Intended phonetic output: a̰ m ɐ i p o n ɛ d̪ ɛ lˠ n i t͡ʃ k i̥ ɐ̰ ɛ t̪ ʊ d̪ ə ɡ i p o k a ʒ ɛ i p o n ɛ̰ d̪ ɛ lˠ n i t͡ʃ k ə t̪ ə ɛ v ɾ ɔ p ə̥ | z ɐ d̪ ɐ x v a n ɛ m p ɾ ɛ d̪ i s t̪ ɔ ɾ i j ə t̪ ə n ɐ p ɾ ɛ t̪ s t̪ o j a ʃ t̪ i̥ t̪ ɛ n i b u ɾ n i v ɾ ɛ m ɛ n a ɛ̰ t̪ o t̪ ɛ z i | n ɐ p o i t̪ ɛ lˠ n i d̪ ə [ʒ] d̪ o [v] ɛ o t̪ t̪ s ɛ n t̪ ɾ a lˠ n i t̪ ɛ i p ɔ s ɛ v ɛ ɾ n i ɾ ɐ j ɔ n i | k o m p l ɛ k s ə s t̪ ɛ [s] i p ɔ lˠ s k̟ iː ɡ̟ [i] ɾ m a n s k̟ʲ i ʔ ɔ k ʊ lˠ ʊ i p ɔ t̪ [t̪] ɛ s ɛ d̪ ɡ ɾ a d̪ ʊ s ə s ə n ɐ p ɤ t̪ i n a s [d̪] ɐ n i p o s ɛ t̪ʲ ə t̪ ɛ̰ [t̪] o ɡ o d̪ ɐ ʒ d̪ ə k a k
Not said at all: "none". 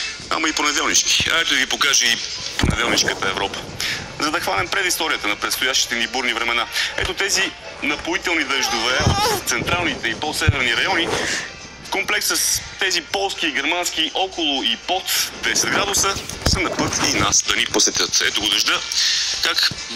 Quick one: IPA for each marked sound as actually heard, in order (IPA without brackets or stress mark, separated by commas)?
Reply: ʒ, v, z, ɛ, d̪, d̪, t̪